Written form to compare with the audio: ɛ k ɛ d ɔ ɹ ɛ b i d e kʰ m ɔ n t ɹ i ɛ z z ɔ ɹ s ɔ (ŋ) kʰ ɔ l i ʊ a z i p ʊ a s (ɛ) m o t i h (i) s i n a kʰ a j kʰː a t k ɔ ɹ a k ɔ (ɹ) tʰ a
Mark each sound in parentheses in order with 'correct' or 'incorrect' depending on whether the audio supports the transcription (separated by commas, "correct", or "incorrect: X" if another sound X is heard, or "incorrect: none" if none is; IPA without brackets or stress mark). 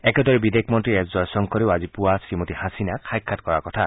correct, incorrect: i, incorrect: a, incorrect: none